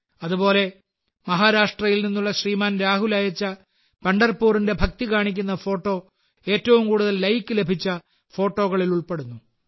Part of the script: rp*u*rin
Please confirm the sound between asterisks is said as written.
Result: no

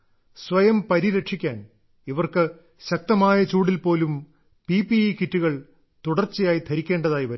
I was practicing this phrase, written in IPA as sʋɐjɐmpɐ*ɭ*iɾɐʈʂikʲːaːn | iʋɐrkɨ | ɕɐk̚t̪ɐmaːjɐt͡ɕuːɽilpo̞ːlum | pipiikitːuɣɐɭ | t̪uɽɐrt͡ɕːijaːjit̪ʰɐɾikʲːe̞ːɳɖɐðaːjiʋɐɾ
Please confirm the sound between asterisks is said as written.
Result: no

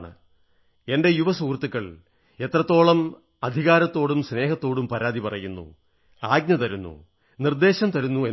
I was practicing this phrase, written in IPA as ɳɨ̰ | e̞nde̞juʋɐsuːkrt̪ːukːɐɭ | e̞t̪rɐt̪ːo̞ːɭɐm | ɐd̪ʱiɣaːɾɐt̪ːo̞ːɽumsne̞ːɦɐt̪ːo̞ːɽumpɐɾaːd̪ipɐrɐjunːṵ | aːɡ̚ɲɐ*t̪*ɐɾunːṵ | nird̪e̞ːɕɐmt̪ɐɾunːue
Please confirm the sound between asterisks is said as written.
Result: yes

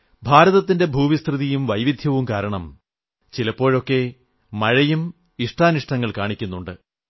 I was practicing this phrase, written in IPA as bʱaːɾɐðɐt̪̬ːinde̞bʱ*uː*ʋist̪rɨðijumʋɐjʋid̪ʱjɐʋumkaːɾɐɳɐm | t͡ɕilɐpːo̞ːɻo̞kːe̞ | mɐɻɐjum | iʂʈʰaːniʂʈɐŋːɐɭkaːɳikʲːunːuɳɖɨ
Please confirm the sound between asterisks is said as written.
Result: yes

